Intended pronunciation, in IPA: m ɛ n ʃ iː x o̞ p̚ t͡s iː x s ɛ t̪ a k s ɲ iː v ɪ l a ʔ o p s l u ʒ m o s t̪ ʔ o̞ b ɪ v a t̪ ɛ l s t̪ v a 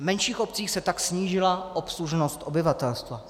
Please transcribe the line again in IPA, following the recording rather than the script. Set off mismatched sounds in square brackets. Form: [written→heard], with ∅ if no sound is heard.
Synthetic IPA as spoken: m ɛ n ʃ iː x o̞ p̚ t͡s iː x s ɛ t̪ a k s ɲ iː [v→ʒ] ɪ l a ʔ o p s l u ʒ [m→n] o s t̪ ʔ o̞ b ɪ v a t̪ ɛ l s t̪ v a

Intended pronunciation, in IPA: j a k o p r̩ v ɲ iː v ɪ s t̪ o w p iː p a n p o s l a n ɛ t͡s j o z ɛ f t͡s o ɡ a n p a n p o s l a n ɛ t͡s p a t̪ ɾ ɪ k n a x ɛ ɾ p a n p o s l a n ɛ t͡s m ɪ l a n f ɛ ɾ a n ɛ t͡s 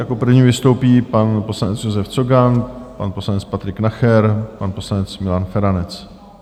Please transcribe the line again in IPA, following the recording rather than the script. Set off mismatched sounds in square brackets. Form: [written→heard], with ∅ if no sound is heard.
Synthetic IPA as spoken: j a k o p r̩ v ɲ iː v ɪ s t̪ o w p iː p a n p o s l a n ɛ t͡s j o z ɛ f t͡s o ɡ a n p a n p o s l a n ɛ t͡s p a t̪ ɾ ɪ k n a x ɛ ɾ p a n p o s l a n ɛ t͡s m ɪ l a n f ɛ ɾ a n ɛ t͡s

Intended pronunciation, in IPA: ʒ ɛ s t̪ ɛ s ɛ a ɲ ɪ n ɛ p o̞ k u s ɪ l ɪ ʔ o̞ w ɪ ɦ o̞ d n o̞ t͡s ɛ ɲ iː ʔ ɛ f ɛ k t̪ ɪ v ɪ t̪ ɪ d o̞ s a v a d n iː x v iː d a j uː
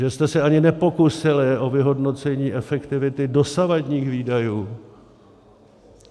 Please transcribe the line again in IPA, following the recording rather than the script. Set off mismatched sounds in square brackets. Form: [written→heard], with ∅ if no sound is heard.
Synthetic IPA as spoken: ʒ ɛ s t̪ ɛ s ɛ a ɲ ɪ n ɛ p o̞ k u s ɪ l ɪ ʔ o̞ [w→v] ɪ ɦ o̞ d n o̞ t͡s ɛ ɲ iː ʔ ɛ f ɛ k t̪ ɪ v ɪ t̪ ɪ d o̞ s a v a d [n→ɲ] iː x v iː d a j uː

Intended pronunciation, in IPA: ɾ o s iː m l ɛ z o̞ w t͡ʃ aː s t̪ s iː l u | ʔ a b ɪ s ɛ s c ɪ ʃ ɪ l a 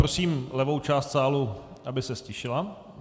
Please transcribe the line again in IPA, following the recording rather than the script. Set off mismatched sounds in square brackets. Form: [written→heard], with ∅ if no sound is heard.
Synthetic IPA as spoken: ɾ o s iː m l ɛ [z→v] o̞ w t͡ʃ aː s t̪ s [iː→aː] l u | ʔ a b ɪ s ɛ s c ɪ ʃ ɪ l a

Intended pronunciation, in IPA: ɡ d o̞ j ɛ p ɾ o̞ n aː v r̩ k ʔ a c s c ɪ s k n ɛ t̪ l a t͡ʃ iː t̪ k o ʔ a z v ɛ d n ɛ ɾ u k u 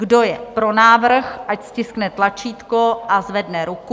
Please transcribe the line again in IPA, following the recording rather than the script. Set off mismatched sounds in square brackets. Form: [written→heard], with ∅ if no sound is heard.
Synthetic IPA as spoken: ɡ d o̞ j ɛ p ɾ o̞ n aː v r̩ [k→x] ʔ a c s c ɪ s k n ɛ t̪ l a t͡ʃ iː t̪ k o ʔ a z v ɛ d n ɛ ɾ u k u

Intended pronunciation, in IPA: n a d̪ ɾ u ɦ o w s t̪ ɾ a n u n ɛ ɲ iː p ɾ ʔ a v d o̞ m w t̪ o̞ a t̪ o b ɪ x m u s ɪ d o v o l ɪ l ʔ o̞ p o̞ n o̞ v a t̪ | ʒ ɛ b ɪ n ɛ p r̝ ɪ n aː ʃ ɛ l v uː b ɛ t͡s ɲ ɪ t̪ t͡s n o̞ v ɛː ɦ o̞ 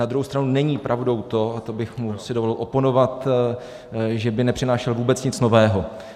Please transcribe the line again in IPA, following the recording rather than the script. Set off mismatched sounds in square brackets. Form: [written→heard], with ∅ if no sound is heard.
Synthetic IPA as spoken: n a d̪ ɾ u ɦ o w s t̪ ɾ a n u n ɛ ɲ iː p ɾ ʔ a v d o̞ [m→∅] w t̪ o̞ a t̪ o b ɪ x m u s ɪ d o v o l ɪ l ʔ o̞ p o̞ n o̞ v a t̪ | ʒ ɛ b ɪ n ɛ p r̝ ɪ n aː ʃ ɛ l v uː b ɛ t͡s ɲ ɪ [t̪→∅] t͡s n o̞ v ɛː ɦ o̞

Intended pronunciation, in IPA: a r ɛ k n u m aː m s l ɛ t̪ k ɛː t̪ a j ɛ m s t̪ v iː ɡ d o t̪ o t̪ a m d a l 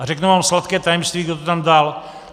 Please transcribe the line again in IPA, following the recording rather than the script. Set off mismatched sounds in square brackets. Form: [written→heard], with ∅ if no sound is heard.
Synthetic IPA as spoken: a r ɛ k n u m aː m s l [ɛ→a] t̪ k ɛː t̪ a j ɛ m s t̪ v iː ɡ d o t̪ o t̪ a m d a l

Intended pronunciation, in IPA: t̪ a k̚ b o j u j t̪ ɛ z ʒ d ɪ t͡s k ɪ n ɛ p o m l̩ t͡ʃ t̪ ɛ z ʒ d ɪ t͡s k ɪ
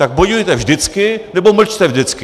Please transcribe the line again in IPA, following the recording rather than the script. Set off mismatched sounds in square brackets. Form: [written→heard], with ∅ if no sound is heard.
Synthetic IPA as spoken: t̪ a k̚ b o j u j t̪ ɛ [z→v] ʒ d ɪ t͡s k ɪ n ɛ [p→b] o m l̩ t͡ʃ t̪ ɛ [z→v] ʒ d ɪ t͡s k ɪ

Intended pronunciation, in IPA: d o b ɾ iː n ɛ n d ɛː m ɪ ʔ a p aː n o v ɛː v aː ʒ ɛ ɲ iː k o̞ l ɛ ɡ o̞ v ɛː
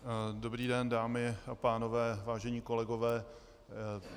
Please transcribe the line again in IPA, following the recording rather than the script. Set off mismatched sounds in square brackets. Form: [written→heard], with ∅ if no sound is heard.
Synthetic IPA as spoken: d o b ɾ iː [n→d] ɛ n d [ɛː→aː] m ɪ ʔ a p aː n o v ɛː v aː ʒ ɛ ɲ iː k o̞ l ɛ ɡ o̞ v ɛː

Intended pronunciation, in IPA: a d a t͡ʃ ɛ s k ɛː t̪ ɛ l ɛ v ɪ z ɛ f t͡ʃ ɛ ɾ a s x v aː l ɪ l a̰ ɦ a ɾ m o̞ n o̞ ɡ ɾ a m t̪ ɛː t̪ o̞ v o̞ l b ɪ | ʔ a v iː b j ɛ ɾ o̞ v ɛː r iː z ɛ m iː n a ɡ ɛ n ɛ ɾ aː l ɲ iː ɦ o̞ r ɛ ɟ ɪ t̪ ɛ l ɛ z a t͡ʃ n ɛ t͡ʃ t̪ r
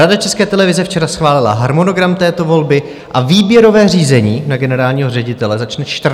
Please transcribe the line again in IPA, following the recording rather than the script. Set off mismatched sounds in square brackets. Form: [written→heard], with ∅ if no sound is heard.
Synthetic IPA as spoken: a d a t͡ʃ ɛ s k ɛː t̪ ɛ l ɛ v ɪ z ɛ f t͡ʃ ɛ ɾ a s x v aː l ɪ l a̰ ɦ a ɾ m o̞ n o̞ ɡ ɾ a m t̪ ɛː t̪ o̞ v o̞ l b ɪ | ʔ a v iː b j ɛ ɾ o̞ v ɛː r iː z ɛ [m→ɲ] iː n a ɡ ɛ n ɛ ɾ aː l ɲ iː ɦ o̞ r ɛ ɟ ɪ t̪ ɛ l ɛ z a t͡ʃ n ɛ t͡ʃ t̪ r

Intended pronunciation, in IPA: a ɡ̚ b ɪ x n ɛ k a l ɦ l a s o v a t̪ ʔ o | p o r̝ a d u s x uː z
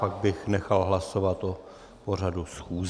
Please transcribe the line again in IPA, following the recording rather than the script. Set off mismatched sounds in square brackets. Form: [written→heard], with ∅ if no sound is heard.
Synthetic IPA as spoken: a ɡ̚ b ɪ x n ɛ [k→x] a l ɦ l a s o v a t̪ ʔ o | p o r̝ a d u s x uː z

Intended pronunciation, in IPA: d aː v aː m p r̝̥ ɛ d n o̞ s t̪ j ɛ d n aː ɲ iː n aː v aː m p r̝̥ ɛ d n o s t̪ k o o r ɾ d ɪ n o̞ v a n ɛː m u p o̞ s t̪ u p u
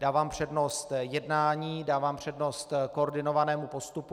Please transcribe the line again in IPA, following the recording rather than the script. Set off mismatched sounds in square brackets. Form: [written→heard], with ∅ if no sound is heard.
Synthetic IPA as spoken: d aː v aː m p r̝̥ ɛ d n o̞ s t̪ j ɛ d n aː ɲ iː [n→d] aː v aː m p r̝̥ ɛ d n o s t̪ k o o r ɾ d ɪ n o̞ v a n ɛː m u p o̞ s t̪ u p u

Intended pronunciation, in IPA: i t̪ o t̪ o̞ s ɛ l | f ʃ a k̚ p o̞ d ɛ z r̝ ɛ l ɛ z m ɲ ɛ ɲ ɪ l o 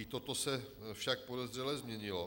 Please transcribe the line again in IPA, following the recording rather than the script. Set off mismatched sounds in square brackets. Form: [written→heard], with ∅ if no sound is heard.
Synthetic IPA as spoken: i t̪ o t̪ o̞ s ɛ [l→∅] | f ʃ a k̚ p o̞ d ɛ z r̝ ɛ l ɛ z m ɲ ɛ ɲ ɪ l o

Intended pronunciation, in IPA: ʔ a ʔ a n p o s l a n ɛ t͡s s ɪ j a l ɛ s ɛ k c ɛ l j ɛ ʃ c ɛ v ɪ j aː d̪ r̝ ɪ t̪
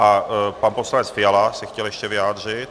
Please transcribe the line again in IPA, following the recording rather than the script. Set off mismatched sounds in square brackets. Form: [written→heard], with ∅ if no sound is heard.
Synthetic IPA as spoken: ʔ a [ʔ→p] a n p o s l a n ɛ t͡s [s→f] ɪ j a l [ɛ→a] s ɛ [k→x] c ɛ l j ɛ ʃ c ɛ v ɪ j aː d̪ r̝ ɪ t̪

